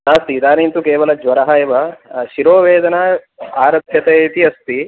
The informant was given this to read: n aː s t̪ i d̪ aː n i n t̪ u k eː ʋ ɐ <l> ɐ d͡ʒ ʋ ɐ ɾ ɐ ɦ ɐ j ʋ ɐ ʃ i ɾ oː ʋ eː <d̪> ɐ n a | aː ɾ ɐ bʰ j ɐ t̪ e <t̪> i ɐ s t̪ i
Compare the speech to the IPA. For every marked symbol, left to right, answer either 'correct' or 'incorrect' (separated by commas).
correct, correct, correct